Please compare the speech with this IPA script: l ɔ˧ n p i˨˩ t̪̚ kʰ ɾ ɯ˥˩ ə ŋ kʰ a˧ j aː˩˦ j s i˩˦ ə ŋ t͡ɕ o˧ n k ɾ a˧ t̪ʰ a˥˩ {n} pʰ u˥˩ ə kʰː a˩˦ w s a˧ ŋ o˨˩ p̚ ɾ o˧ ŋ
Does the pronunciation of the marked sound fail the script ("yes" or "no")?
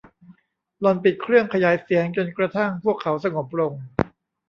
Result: yes